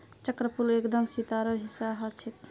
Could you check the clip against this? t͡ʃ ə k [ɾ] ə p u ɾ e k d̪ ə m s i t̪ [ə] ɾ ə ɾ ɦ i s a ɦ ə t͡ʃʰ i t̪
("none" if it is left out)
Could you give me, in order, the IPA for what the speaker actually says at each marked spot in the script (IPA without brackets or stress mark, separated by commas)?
ɾ, a